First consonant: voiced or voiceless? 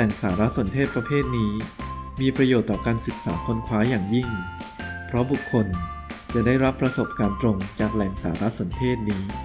voiced